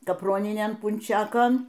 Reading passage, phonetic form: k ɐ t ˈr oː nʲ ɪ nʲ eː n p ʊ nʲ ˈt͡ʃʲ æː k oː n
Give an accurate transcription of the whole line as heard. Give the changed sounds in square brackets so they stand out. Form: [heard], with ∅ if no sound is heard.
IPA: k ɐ [p] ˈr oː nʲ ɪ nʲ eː n p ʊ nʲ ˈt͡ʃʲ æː k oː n